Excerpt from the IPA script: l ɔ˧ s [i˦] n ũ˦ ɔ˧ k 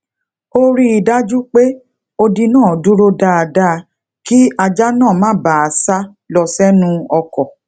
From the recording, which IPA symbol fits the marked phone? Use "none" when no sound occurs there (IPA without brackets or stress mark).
ɛ˦